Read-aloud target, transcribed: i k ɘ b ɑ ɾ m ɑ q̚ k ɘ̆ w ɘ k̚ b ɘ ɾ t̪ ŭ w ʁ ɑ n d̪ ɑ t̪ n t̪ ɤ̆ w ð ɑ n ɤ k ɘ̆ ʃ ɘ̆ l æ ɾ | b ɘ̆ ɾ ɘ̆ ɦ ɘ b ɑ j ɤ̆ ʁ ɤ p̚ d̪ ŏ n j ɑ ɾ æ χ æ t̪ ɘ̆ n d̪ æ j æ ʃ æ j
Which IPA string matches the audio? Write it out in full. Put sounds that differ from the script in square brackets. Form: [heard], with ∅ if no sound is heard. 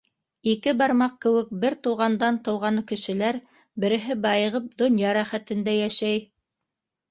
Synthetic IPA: i k ɘ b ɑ ɾ m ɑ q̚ k ɘ̆ w ɘ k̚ b ɘ ɾ t̪ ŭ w ʁ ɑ n d̪ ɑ [∅] n t̪ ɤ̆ w [ʁ] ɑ n ɤ k ɘ̆ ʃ ɘ̆ l æ ɾ | b ɘ̆ ɾ ɘ̆ ɦ ɘ b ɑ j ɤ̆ ʁ ɤ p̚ d̪ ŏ n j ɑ ɾ æ χ æ t̪ ɘ̆ n d̪ æ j æ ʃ æ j